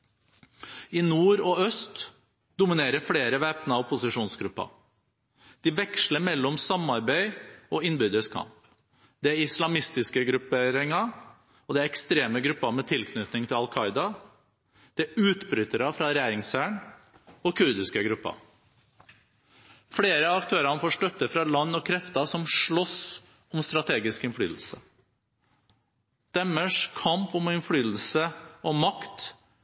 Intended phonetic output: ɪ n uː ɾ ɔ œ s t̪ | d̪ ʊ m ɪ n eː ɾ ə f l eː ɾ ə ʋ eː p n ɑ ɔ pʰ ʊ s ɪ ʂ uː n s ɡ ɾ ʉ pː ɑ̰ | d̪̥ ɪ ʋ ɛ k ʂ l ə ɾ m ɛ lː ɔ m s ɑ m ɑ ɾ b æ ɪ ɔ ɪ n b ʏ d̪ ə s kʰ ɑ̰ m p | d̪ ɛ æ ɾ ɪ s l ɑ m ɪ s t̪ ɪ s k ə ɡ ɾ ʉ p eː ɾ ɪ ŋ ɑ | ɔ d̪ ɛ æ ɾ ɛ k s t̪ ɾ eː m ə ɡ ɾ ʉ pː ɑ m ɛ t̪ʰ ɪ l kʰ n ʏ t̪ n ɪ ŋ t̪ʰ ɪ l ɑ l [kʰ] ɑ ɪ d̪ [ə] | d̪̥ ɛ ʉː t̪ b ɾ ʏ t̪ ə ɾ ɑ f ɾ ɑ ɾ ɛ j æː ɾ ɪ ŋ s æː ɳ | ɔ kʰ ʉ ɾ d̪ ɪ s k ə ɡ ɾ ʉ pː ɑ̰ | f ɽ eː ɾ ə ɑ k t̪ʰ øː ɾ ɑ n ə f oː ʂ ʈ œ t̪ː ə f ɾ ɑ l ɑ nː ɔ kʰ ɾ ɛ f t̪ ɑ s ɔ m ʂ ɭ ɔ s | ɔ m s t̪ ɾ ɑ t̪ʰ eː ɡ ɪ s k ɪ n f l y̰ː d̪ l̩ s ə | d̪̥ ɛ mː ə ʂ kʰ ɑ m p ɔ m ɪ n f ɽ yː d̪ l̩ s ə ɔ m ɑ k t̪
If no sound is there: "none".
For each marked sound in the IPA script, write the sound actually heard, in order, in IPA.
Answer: kʰ, ɑ

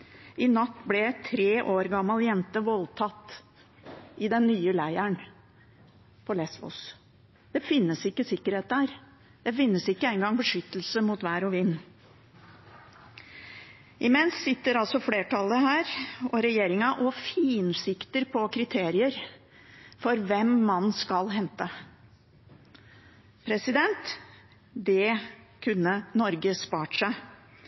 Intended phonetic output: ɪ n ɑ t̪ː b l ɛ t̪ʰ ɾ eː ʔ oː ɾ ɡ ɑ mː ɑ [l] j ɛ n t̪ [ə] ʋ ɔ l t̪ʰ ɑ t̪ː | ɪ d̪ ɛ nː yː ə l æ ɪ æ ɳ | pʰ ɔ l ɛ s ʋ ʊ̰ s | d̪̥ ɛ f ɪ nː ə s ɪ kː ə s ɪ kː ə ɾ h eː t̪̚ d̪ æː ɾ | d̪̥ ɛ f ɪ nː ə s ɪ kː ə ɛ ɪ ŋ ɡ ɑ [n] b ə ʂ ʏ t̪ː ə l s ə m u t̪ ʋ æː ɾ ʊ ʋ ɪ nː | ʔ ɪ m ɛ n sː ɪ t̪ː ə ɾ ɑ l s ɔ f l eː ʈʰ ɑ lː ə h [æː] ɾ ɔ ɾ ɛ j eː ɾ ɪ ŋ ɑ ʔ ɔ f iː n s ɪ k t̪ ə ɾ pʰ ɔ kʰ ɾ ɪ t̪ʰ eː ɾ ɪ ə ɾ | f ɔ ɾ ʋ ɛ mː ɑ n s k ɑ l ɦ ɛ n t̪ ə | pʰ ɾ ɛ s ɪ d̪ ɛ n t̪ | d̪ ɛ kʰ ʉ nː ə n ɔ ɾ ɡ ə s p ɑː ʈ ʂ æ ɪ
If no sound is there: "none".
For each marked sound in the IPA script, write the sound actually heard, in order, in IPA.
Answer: l, ə, ŋ, æː

